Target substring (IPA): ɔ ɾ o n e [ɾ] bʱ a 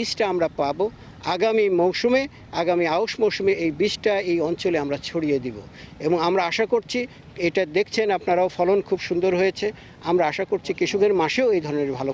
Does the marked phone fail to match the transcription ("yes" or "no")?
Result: no